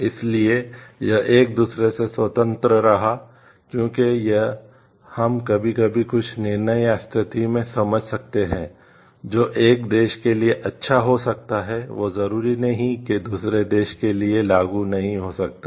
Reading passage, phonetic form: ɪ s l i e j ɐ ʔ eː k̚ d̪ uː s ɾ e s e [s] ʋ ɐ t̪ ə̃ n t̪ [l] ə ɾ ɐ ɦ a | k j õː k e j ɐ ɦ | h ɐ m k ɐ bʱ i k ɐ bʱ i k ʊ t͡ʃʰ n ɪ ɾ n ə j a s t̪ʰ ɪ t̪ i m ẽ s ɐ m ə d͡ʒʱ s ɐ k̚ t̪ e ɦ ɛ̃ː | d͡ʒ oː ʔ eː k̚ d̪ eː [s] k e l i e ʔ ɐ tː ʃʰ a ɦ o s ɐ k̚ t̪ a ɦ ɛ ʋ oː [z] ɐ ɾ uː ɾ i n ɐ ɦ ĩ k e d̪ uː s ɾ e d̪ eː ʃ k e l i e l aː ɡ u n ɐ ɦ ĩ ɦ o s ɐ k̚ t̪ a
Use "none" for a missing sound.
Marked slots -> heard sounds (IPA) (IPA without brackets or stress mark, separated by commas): s, ɾ, ʃ, z